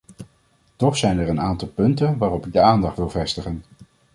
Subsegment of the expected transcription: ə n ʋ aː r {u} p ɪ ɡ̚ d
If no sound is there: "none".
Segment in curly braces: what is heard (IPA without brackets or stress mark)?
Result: ɔ